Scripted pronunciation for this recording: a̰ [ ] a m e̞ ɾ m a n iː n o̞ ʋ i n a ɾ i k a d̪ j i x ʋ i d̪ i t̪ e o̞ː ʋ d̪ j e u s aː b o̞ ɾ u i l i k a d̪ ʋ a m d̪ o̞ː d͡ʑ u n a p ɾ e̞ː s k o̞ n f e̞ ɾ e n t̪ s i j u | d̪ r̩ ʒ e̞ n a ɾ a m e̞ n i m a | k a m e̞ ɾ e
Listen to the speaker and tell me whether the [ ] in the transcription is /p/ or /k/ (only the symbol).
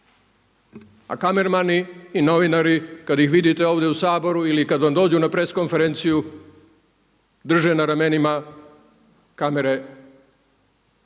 k